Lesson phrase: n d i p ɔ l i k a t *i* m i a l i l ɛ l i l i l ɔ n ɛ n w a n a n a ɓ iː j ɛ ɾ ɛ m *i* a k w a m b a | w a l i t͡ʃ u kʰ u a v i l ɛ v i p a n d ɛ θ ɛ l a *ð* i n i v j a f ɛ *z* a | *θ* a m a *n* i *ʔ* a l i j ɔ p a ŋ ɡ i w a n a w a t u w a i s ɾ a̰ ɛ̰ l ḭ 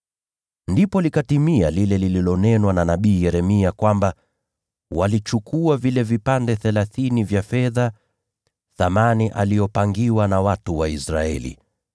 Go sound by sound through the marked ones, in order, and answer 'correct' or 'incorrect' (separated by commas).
correct, correct, incorrect, incorrect, correct, correct, correct